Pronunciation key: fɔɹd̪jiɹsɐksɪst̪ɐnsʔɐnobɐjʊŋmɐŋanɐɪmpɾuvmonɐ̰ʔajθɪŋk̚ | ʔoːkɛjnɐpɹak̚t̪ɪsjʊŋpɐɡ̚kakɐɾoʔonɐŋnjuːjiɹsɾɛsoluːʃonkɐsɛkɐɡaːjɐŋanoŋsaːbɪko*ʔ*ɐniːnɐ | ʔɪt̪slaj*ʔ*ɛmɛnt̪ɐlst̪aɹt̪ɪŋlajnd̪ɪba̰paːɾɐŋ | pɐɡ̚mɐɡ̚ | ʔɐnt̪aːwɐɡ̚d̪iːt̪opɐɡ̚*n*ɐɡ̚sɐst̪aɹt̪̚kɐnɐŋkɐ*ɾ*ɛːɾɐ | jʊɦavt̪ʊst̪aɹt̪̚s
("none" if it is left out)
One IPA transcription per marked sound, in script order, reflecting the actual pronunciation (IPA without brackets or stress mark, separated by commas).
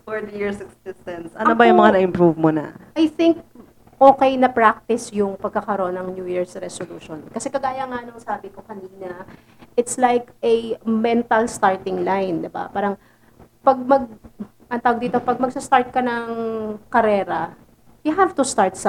k, k, m, ɾ